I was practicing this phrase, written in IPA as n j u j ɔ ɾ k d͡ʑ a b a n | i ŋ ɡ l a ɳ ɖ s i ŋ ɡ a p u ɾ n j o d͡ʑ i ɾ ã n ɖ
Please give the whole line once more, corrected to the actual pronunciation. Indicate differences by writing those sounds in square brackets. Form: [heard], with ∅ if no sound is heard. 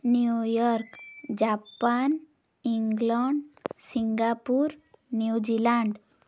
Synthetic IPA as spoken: n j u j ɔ ɾ k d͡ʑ a [p] a n | i ŋ ɡ l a ɳ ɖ s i ŋ ɡ a p u ɾ n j [u] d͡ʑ i [l] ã [ɳ] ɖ